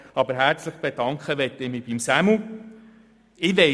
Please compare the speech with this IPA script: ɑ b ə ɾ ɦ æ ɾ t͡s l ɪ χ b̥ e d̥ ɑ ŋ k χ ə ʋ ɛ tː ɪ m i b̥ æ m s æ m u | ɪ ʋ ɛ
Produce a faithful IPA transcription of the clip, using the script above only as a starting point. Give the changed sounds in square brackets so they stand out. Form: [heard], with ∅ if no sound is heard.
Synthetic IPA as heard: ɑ b ə ɾ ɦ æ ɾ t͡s l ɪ χ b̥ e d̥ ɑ ŋ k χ ə ʋ ɛ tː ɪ m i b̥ [i] m s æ m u | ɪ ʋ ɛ